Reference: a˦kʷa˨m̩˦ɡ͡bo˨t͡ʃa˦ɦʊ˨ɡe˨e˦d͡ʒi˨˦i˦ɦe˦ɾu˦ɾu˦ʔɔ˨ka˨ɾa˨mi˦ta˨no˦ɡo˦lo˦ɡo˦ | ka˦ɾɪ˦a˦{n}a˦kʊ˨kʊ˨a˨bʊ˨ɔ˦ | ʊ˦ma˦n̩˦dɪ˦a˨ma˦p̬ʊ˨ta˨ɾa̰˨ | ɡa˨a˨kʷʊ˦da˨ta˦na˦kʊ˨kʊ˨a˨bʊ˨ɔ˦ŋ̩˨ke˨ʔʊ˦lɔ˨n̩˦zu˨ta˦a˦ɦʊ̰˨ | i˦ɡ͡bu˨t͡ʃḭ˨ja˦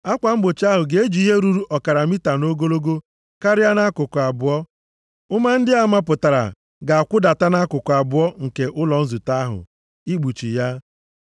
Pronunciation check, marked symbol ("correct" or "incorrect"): correct